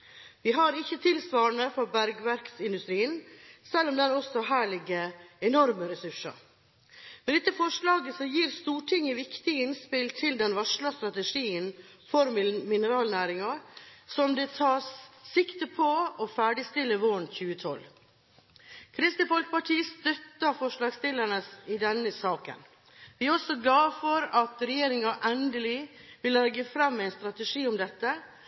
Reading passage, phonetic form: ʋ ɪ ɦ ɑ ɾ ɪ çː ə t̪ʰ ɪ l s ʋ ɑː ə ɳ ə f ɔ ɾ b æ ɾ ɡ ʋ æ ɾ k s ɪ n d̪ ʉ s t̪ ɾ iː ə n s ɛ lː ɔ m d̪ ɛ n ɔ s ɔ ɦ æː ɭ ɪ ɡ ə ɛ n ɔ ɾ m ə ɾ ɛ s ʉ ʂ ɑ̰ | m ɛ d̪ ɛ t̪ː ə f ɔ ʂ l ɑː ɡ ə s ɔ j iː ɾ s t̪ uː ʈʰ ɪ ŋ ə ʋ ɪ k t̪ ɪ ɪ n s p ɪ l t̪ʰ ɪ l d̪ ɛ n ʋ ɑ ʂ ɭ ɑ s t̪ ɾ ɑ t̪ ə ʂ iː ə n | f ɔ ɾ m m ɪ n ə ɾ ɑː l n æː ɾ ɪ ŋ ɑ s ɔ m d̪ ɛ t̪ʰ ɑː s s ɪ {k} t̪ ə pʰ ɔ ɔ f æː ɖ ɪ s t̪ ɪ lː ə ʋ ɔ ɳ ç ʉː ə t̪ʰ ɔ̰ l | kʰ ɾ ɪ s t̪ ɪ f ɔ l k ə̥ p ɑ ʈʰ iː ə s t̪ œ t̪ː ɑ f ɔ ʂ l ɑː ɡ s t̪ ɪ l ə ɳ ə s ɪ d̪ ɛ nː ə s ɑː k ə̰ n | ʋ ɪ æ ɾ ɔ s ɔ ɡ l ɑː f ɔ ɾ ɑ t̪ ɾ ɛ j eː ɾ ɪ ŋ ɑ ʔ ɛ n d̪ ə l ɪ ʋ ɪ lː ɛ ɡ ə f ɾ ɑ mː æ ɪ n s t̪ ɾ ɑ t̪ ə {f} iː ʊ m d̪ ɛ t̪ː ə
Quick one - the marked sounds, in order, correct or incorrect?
correct, incorrect

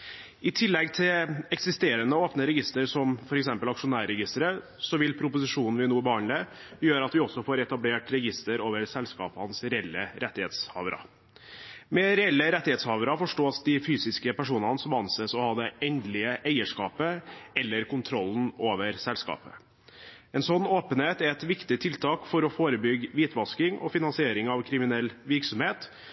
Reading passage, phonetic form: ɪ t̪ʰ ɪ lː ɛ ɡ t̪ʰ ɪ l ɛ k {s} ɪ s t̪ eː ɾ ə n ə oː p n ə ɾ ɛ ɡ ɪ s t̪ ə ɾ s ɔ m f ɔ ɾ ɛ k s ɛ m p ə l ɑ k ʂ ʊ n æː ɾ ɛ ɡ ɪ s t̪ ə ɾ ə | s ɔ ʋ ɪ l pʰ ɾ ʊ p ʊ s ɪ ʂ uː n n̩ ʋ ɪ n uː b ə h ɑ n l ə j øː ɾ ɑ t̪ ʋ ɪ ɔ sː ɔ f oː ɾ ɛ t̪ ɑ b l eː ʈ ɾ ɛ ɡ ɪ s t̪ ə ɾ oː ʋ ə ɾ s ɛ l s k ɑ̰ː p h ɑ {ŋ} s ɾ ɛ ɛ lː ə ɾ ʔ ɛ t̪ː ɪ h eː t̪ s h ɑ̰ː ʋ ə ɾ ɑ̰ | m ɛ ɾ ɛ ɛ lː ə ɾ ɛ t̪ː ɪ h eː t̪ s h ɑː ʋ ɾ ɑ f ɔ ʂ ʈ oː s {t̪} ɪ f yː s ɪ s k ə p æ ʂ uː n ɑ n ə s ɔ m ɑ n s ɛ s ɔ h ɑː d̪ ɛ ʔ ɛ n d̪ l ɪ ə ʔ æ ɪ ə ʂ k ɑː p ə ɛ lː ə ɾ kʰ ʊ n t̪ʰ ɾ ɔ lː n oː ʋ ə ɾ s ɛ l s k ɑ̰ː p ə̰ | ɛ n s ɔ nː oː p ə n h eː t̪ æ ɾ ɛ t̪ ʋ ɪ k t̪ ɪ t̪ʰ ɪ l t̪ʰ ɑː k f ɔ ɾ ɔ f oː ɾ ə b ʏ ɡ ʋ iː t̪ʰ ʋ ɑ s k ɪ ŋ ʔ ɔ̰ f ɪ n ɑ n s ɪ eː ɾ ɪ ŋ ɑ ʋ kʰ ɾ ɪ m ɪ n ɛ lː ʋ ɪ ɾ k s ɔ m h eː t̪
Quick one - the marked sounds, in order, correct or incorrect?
correct, incorrect, incorrect

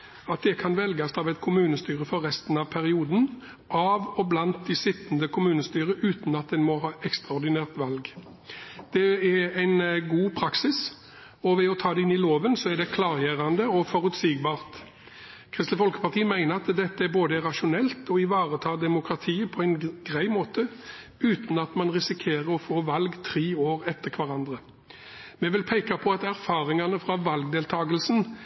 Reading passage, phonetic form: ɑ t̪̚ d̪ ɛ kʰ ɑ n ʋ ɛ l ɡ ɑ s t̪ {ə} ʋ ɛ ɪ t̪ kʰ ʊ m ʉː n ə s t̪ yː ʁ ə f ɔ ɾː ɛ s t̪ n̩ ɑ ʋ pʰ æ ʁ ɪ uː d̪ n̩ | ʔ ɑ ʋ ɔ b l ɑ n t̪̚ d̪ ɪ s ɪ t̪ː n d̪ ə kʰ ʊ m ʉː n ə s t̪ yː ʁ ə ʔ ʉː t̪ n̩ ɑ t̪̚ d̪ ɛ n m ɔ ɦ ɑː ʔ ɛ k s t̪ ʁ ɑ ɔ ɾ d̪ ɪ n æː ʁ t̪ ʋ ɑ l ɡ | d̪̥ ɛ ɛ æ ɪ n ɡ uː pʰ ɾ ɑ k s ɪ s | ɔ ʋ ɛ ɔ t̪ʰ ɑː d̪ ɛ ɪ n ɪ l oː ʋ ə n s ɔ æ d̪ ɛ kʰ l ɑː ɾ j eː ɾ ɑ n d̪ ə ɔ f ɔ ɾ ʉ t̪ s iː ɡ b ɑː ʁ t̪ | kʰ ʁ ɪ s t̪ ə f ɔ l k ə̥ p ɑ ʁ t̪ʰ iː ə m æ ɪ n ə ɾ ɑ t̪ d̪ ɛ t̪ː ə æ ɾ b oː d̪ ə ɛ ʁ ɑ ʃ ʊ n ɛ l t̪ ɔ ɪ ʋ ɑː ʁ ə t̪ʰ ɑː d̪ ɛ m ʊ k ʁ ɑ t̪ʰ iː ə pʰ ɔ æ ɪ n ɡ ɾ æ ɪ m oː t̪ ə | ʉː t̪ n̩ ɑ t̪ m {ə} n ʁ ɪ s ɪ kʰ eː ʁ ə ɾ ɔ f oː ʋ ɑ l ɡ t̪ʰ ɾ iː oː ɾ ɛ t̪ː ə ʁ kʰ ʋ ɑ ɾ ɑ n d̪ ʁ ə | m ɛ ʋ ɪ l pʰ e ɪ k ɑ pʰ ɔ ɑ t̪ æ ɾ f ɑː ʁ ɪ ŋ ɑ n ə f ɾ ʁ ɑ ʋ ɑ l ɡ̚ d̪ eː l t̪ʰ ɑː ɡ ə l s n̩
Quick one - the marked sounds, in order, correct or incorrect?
incorrect, incorrect

